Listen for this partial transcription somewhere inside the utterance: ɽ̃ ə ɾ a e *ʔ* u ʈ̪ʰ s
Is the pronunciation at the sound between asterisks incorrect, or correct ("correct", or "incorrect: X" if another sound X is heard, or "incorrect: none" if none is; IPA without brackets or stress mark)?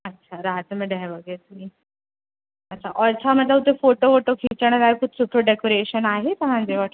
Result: incorrect: k